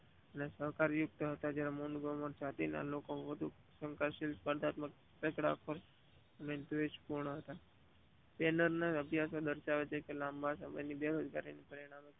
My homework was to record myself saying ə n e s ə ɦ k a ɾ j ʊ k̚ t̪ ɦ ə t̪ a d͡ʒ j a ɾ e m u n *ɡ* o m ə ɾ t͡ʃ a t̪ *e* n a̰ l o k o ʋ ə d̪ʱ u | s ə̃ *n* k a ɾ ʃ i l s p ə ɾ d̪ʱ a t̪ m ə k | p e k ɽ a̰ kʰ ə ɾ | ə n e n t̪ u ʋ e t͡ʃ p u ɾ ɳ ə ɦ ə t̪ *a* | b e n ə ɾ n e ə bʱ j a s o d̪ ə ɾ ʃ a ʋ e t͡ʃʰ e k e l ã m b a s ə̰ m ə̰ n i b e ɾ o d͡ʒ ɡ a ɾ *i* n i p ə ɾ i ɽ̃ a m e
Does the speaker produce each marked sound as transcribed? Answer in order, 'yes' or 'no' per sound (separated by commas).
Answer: yes, no, no, yes, yes